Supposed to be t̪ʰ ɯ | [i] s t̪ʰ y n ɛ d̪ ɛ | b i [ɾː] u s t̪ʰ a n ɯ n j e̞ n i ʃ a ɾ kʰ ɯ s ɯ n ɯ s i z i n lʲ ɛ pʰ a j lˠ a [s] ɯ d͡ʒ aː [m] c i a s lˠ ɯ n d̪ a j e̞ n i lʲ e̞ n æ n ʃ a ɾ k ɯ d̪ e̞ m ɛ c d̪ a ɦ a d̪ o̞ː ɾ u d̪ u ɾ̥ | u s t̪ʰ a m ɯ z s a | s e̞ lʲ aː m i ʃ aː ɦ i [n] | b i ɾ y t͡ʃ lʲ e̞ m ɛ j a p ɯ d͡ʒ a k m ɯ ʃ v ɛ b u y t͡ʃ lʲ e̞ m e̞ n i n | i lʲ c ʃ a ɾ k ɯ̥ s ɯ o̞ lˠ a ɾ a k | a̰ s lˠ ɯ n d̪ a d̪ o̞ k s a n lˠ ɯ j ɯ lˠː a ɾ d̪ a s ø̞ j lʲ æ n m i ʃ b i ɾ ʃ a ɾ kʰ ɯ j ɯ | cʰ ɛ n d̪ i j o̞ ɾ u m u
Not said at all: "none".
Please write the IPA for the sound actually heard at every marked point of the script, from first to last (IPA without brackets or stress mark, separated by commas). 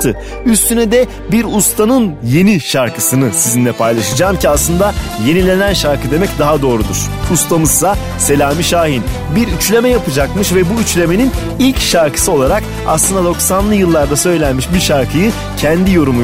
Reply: y, ɾ, ʃ, m, n